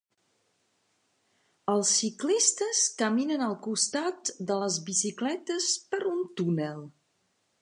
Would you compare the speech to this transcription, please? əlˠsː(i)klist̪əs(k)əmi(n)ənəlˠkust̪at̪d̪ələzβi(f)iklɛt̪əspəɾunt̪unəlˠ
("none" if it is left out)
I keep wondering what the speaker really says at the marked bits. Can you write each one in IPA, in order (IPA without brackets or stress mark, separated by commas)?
i, k, n, s